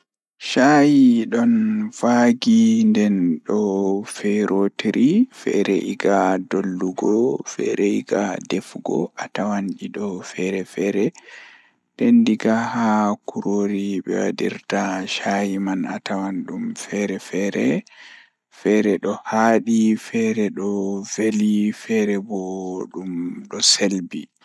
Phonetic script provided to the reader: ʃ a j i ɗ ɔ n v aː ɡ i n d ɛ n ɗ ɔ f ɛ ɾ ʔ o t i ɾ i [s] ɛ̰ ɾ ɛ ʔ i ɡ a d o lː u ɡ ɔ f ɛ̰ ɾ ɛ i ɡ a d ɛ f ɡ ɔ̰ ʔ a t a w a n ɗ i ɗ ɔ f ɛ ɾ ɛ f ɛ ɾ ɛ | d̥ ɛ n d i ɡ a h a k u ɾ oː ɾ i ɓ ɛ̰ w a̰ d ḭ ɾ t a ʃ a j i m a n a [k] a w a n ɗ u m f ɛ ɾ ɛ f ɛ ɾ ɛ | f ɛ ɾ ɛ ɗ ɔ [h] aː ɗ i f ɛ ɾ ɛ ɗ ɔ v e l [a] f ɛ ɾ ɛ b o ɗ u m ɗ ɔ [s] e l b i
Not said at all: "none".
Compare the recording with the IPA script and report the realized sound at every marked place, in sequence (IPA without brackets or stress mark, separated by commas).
f, t, h, i, s